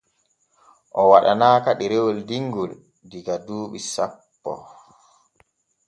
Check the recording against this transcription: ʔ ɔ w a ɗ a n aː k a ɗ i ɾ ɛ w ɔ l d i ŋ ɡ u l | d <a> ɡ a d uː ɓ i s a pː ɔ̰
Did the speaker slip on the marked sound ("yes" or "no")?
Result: yes